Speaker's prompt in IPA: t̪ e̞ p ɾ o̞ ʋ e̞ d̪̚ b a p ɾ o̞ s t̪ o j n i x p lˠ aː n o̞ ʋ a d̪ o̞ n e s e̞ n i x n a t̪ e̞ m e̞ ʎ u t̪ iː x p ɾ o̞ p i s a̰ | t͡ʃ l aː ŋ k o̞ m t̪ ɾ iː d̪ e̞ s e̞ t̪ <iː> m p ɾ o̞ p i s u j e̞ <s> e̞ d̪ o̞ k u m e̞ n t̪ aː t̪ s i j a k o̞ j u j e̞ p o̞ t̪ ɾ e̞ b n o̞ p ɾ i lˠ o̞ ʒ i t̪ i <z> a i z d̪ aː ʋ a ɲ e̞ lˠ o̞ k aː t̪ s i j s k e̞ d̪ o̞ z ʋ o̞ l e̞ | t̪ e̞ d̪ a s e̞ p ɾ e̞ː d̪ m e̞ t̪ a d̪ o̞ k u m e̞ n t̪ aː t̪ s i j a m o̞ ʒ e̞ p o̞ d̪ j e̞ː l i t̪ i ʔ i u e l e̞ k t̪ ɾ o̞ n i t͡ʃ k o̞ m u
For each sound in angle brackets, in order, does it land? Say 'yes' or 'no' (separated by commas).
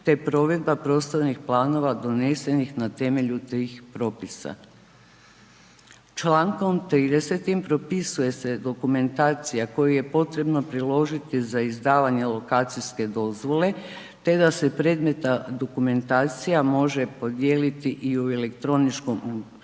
no, yes, yes